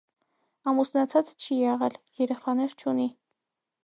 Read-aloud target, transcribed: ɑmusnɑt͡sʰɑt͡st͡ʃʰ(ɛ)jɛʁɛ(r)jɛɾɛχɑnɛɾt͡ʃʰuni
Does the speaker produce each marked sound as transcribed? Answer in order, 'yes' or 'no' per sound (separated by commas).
no, no